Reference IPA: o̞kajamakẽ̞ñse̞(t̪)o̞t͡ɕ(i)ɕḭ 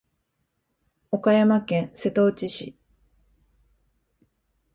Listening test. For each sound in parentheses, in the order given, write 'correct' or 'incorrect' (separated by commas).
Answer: correct, correct